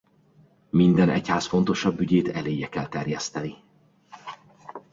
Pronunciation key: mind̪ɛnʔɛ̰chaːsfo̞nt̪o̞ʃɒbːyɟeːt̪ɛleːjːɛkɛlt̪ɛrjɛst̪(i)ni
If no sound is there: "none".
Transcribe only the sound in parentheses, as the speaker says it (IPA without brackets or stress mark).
ɛ